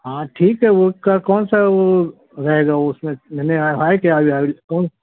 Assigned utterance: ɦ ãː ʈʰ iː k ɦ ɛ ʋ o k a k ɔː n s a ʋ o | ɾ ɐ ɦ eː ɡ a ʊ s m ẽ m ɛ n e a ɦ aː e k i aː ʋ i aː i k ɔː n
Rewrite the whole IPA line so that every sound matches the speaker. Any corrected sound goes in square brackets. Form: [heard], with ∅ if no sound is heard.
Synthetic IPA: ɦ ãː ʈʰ iː k ɦ ɛ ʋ o k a k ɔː n s a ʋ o | ɾ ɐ ɦ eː ɡ a ʊ s m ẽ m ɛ n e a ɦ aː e k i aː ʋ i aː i k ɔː n